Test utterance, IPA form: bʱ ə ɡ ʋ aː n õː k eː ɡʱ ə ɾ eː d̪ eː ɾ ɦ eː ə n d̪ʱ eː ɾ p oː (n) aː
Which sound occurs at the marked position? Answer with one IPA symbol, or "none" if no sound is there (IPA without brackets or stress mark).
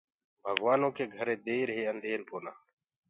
n